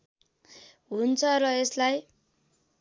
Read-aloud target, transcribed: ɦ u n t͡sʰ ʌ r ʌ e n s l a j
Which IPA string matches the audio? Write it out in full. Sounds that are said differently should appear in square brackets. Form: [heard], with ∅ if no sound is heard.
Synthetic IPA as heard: ɦ u n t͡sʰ ʌ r ʌ e [∅] s l a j

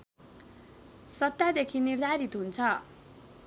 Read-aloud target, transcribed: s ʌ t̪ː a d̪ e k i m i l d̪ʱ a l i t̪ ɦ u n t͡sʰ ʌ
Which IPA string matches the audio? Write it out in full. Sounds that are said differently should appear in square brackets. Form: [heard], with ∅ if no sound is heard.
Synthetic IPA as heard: s ʌ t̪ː a d̪ e [kʰ] i [n] i [r] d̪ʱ a [ɾ] i t̪ ɦ u n t͡sʰ ʌ

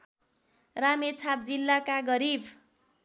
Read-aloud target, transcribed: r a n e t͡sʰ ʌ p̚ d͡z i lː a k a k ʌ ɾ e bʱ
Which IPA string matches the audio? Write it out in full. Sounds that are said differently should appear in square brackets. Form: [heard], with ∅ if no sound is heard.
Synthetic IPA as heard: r a [m] e t͡sʰ [a] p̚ d͡z i lː a k a [ɡ] ʌ ɾ [i] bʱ

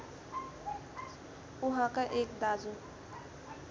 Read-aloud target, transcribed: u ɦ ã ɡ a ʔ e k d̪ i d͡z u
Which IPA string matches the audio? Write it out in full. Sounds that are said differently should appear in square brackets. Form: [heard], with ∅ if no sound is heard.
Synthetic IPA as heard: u ɦ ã [k] a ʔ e k d̪ [a] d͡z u

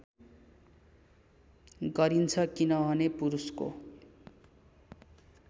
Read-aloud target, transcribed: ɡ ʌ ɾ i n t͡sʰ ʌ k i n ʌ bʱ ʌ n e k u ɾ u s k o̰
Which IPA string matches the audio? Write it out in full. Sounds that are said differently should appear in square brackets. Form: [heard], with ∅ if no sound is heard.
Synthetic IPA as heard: ɡ ʌ ɾ i n t͡sʰ ʌ k i n ʌ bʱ ʌ n e [p] u ɾ u s k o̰

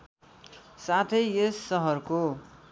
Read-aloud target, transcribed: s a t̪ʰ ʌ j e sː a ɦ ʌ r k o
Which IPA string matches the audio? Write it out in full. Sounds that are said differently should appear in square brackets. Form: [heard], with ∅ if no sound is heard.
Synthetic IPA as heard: s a t̪ʰ ʌ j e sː [ʌ] ɦ ʌ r k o

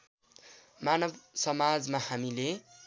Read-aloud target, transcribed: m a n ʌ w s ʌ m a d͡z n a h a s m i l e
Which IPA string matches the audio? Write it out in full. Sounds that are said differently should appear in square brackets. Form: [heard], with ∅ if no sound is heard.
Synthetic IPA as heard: m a n ʌ [b] s ʌ m a d͡z [m] a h a [∅] m i l e

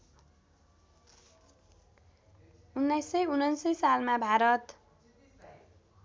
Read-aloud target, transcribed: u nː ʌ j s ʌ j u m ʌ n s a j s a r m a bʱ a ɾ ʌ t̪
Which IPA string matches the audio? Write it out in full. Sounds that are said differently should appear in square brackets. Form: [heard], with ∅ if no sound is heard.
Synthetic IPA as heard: u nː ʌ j s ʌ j u [n] ʌ n s [ʌ] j s a [l] m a bʱ a ɾ ʌ t̪

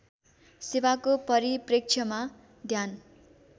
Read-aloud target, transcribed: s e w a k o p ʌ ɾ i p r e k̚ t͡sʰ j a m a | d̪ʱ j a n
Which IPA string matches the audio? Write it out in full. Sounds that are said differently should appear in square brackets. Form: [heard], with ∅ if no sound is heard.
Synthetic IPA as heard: s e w a k o p ʌ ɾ i p r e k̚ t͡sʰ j [ʌ] m a | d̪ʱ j a n

